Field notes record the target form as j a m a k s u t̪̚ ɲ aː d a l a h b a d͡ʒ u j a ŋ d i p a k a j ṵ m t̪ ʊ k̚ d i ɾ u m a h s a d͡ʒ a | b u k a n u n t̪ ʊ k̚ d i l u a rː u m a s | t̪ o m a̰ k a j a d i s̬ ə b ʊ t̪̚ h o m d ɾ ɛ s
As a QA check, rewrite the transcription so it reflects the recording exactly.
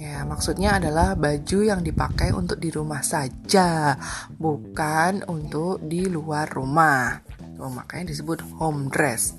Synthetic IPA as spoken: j a m a k s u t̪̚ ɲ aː d a l a h b a d͡ʒ u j a ŋ d i p a k a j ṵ n t̪ ʊ k̚ d i ɾ u m a h s a d͡ʒ a | b u k a n u n t̪ ʊ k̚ d i l u a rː u m a h | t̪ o m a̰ k a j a d i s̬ ə b ʊ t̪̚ h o m d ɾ ɛ s